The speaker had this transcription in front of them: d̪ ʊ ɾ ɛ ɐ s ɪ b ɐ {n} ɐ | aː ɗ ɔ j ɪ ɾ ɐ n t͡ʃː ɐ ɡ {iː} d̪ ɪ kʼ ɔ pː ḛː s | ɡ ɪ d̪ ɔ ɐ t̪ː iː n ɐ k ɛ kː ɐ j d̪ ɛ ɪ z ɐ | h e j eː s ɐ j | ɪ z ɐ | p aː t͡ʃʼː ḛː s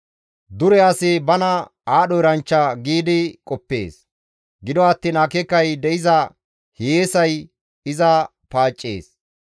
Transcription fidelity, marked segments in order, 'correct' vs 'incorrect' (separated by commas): correct, correct